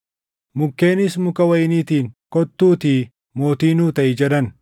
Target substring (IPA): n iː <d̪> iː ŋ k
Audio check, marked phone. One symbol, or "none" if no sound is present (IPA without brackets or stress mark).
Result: t̪